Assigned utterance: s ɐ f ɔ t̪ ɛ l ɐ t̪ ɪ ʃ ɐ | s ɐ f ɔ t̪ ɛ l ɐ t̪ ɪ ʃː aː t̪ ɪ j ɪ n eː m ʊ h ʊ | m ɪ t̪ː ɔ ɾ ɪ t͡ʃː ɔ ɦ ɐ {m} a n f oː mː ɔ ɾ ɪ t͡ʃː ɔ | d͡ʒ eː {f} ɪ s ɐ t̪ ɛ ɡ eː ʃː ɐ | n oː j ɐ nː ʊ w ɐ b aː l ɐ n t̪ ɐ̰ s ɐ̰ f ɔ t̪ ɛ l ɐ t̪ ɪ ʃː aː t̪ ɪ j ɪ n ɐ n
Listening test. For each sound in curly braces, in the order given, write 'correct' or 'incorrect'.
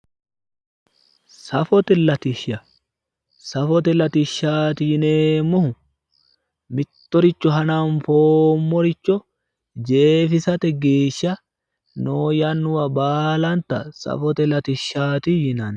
incorrect: n, correct

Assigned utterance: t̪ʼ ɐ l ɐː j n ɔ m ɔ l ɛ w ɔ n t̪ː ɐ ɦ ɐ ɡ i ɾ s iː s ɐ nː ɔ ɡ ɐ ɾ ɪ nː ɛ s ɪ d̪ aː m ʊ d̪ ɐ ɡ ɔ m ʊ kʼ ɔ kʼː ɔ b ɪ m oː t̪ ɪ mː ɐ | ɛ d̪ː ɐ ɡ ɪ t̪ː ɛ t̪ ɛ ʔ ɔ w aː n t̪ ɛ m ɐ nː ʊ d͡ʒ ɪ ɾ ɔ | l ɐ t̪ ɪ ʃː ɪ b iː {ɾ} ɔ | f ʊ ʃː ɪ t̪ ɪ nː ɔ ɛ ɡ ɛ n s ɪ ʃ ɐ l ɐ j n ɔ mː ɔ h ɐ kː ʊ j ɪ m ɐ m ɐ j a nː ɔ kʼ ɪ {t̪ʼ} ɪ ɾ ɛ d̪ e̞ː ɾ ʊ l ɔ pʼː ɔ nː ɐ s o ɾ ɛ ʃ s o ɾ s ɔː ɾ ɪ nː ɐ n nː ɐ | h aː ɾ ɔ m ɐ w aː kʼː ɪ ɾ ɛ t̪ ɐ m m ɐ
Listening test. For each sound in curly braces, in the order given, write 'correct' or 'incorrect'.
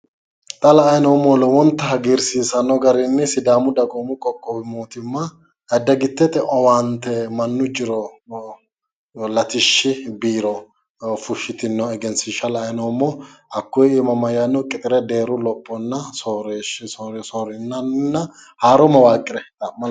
correct, correct

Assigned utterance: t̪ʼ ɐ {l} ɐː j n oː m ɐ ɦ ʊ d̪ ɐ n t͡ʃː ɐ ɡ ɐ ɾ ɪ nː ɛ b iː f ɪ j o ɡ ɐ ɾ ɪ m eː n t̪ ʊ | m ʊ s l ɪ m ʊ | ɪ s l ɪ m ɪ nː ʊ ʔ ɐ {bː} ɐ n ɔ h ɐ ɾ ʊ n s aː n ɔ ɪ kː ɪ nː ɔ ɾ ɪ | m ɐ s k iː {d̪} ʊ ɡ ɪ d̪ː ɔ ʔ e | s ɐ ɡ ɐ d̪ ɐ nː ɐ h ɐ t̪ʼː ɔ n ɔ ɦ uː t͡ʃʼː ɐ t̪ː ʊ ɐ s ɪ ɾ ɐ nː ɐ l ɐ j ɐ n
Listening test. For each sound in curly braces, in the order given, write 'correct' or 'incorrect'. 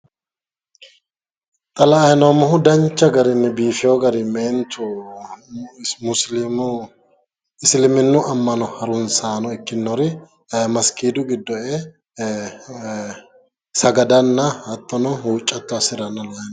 correct, incorrect: mː, correct

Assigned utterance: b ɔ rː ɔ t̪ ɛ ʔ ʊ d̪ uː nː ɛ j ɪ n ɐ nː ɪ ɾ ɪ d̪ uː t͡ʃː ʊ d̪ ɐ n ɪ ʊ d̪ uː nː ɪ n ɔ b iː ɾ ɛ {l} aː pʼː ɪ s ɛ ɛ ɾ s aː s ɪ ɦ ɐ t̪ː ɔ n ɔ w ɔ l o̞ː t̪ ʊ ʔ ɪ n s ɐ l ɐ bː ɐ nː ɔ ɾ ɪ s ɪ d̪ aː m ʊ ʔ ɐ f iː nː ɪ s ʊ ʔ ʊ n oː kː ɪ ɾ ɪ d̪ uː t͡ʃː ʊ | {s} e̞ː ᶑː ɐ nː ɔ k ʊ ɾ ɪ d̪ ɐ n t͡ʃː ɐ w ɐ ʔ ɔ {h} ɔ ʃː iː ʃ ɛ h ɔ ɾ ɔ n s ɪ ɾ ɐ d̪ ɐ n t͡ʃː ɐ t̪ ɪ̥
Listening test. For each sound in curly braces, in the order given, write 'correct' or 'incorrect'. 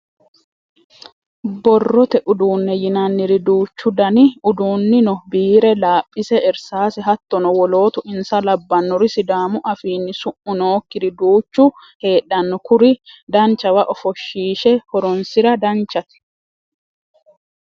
correct, incorrect: h, incorrect: f

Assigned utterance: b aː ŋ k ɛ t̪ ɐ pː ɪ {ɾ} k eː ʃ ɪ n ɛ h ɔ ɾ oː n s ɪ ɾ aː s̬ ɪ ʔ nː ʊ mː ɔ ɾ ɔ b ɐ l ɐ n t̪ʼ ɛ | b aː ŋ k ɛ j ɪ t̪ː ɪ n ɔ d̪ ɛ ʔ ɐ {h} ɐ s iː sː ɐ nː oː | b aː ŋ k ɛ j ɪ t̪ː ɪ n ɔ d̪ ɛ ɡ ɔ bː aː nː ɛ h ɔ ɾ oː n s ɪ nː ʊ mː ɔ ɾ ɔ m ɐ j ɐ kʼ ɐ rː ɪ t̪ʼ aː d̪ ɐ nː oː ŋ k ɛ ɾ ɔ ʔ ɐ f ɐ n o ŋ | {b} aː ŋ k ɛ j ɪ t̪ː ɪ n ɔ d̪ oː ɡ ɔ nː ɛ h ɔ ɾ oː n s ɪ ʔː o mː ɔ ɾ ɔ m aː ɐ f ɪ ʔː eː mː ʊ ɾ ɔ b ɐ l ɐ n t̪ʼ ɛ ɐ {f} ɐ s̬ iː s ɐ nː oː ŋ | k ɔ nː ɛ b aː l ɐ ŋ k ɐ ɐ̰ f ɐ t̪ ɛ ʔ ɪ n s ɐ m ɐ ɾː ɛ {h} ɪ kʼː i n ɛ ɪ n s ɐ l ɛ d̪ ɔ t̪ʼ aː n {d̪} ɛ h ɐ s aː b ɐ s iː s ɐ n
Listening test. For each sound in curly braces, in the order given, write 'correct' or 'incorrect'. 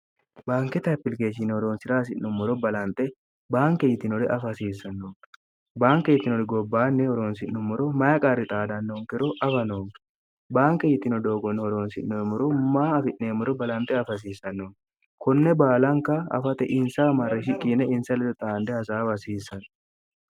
incorrect: l, incorrect: f, correct, correct, incorrect: ʃ, correct

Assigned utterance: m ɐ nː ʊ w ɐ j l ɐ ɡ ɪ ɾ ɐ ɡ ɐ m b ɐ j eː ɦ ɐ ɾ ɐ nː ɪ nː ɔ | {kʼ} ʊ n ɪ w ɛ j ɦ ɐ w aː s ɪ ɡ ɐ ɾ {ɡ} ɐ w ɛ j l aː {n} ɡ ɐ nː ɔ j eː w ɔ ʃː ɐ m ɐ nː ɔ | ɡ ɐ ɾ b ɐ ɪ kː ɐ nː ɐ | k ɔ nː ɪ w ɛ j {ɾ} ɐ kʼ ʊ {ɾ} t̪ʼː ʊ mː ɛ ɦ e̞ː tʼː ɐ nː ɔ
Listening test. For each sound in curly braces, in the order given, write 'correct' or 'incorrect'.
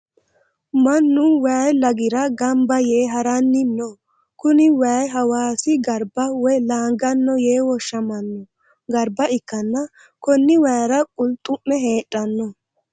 incorrect: k, incorrect: b, incorrect: ŋ, correct, incorrect: l

